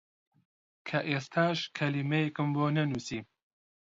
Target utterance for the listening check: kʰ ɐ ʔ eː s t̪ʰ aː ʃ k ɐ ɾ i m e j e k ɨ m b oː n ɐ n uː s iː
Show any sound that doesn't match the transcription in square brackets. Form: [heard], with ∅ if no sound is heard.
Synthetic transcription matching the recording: kʰ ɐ ʔ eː s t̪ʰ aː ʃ [kʰ] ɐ [l] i m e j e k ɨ m b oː n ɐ n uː s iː